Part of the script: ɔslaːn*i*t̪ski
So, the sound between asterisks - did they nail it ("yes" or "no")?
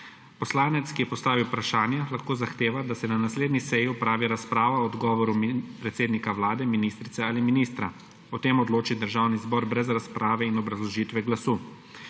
no